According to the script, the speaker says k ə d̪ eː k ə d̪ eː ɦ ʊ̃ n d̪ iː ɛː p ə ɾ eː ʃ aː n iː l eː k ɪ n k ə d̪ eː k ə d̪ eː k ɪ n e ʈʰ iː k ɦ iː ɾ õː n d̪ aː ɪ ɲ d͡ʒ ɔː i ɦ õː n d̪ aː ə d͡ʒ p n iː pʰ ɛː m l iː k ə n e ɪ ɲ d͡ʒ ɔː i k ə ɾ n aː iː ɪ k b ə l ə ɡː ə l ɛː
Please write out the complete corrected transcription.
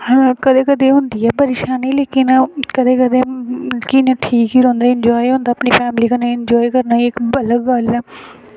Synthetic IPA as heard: k ə d̪ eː k ə d̪ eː ɦ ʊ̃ n d̪ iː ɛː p ə ɾ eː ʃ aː n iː l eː k ɪ n k ə d̪ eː k ə d̪ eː k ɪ n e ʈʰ iː k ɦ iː ɾ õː n d̪ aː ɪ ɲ d͡ʒ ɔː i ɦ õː n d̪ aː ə p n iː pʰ ɛː m l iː k ə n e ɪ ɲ d͡ʒ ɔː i k ə ɾ n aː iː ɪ k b ə l ə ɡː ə l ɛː

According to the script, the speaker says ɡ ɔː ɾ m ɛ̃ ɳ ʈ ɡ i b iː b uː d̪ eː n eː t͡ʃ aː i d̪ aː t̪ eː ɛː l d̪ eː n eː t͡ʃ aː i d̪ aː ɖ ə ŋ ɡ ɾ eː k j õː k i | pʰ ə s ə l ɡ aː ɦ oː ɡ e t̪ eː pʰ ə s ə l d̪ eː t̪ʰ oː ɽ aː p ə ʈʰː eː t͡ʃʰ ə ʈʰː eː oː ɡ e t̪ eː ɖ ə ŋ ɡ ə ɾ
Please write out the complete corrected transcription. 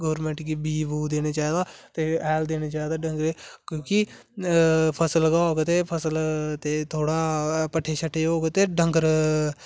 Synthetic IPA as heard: ɡ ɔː ɾ m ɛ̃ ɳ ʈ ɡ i b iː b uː d̪ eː n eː t͡ʃ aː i d̪ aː t̪ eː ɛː l d̪ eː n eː t͡ʃ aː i d̪ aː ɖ ə ŋ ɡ ɾ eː k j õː k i | pʰ ə s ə l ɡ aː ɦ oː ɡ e t̪ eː pʰ ə s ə l t̪ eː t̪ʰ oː ɽ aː p ə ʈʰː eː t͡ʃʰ ə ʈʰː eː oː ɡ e t̪ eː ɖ ə ŋ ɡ ə ɾ

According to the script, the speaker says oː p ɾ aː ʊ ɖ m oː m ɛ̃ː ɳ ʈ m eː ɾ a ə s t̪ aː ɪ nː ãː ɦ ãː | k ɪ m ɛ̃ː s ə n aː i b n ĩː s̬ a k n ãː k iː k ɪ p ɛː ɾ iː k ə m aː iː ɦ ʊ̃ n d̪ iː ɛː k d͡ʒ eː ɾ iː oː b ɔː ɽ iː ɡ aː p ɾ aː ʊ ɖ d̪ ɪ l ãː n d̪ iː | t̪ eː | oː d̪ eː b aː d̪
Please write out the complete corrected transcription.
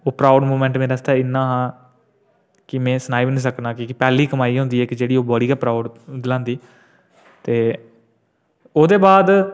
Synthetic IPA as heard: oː p ɾ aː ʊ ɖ m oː m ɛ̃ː ɳ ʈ m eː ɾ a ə s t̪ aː ɪ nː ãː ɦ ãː | k ɪ m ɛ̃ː s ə n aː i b n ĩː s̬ ə k n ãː k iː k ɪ p ɛː l iː k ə m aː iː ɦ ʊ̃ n d̪ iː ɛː k d͡ʒ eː ɽ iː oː b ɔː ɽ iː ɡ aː p ɾ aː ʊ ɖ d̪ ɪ l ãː n d̪ iː | t̪ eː | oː d̪ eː b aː d̪

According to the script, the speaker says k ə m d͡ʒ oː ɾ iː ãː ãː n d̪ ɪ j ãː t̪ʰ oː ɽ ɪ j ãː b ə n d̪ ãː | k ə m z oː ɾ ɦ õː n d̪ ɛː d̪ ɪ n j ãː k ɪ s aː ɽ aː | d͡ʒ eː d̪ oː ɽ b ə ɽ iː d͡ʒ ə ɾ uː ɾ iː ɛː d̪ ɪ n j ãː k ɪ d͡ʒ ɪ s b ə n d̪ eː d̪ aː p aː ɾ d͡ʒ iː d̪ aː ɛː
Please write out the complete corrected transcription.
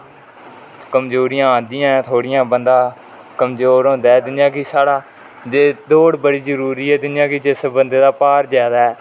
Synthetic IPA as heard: k ə m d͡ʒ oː ɾ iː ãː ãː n d̪ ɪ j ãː t̪ʰ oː ɽ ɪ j ãː b ə n d̪ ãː | k ə m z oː ɾ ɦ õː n d̪ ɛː d̪ ɪ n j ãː k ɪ s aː ɽ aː | d͡ʒ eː d̪ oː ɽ b ə ɽ iː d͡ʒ ə ɾ uː ɾ iː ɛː d̪ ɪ n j ãː k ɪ d͡ʒ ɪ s b ə n d̪ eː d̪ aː p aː ɾ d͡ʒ aː d̪ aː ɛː

